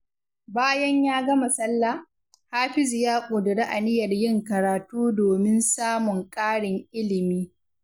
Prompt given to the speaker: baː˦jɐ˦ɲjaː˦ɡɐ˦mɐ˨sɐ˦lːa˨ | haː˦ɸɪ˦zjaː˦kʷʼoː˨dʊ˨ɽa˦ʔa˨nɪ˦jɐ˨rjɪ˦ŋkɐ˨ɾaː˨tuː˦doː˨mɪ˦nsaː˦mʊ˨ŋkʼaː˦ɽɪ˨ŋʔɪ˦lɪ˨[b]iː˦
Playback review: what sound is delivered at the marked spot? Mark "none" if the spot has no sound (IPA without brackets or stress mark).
m